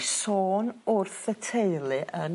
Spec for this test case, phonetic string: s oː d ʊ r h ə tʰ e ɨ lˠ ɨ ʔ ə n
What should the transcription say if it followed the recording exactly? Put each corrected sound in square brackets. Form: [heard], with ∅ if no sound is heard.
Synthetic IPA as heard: s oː [n] ʊ r [θ] ə tʰ e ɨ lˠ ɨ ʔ ə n